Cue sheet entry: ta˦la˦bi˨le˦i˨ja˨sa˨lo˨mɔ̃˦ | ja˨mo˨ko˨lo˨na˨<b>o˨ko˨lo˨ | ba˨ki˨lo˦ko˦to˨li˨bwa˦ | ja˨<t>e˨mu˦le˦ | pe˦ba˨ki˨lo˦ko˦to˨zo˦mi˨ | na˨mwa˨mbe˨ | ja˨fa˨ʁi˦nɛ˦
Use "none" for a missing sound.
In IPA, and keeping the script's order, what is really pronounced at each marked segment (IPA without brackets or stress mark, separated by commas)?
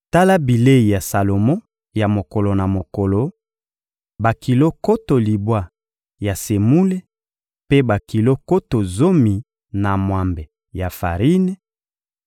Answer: m, s